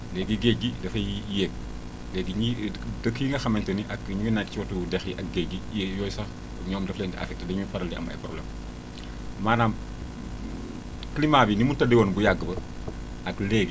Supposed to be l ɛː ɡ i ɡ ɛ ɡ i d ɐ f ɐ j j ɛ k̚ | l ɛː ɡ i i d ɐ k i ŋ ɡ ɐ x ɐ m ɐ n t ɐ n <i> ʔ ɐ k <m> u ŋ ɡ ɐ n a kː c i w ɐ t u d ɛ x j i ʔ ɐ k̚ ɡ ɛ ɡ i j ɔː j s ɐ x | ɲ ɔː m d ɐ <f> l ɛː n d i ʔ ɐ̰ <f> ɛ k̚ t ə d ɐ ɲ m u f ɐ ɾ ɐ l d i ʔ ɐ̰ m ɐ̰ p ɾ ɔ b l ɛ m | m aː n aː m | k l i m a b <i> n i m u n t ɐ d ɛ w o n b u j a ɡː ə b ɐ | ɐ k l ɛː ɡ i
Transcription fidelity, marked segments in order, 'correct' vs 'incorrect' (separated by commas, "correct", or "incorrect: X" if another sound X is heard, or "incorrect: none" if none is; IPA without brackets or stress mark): correct, incorrect: ɲ, correct, correct, correct